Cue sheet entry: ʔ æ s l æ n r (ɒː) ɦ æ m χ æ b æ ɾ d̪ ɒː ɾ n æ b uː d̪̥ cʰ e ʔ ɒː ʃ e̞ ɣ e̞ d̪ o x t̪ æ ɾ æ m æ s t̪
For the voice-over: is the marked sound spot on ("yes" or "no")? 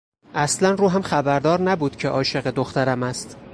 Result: no